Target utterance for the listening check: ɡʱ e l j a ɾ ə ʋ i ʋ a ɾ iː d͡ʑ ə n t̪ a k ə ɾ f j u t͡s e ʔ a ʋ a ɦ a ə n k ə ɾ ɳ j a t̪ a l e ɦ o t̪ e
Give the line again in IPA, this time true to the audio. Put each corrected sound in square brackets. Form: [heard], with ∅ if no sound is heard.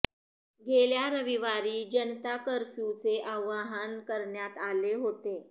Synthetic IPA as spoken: ɡʱ e l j a ɾ ə ʋ i ʋ a ɾ iː d͡ʑ ə n t̪ a k ə ɾ f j u t͡s e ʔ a ʋ a ɦ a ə n k ə ɾ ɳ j a t̪ a l e ɦ o t̪ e

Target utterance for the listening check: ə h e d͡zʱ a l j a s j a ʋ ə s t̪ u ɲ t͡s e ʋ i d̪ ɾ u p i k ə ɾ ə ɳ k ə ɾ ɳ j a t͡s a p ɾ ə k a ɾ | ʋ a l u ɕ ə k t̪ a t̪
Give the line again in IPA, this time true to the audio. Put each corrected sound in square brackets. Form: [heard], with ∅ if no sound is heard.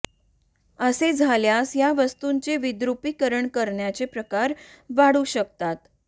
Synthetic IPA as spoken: ə [s] e d͡zʱ a l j a s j a ʋ ə s t̪ u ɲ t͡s e ʋ i d̪ ɾ u p i k ə ɾ ə ɳ k ə ɾ ɳ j a t͡s [e] p ɾ ə k a ɾ | ʋ a [ɽ] u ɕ ə k t̪ a t̪

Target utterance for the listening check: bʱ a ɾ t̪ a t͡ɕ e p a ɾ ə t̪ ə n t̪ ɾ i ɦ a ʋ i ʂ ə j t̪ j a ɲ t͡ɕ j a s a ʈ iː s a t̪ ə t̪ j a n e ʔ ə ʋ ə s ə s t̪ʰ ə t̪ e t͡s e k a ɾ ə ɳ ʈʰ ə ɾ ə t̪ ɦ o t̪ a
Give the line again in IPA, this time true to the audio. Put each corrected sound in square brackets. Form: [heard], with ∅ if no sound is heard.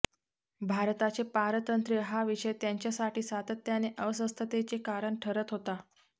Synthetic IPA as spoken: bʱ a ɾ t̪ a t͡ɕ e p a ɾ ə t̪ ə n t̪ ɾ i ɦ a ʋ i ʂ ə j t̪ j a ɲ t͡ɕ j a s a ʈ iː s a t̪ ə t̪ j a n e ʔ ə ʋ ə s ə s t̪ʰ ə t̪ e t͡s e k a ɾ ə ɳ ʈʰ ə ɾ ə t̪ ɦ o t̪ a

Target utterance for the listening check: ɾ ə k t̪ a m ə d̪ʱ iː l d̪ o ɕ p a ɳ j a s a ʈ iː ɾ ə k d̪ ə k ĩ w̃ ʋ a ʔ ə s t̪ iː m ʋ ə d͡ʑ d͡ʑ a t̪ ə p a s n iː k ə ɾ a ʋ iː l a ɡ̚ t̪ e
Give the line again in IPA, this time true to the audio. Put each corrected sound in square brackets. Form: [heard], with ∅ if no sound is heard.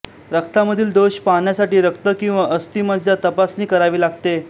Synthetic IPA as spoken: ɾ ə k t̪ a m ə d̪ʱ iː l d̪ o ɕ p a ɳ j a s a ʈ iː ɾ ə k [t̪] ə k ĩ w̃ ʋ a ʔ ə s t̪ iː m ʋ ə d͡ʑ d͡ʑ a t̪ ə p a s n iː k ə ɾ a ʋ iː l a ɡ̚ t̪ e

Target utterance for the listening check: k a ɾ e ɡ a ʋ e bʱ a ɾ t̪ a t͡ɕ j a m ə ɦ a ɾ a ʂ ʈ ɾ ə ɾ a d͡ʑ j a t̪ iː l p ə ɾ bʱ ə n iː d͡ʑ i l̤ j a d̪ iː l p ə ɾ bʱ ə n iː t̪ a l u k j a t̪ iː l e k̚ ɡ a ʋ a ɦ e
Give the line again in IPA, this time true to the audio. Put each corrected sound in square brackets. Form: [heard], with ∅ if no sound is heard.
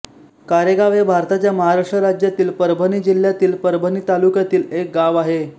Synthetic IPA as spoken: k a ɾ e ɡ a ʋ e bʱ a ɾ t̪ a t͡ɕ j a m ə ɦ a ɾ a ʂ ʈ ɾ ə ɾ a d͡ʑ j a t̪ iː l p ə ɾ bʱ ə n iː d͡ʑ i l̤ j a [t̪] iː l p ə ɾ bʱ ə n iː t̪ a l u k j a t̪ iː l e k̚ ɡ a ʋ a ɦ e

